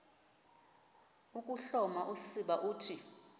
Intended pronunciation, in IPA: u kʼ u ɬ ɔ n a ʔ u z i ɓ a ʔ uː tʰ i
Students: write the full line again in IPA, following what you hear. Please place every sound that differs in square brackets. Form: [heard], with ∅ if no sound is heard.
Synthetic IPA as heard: u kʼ u ɬ ɔ [m] a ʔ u [s] i ɓ a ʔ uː tʰ i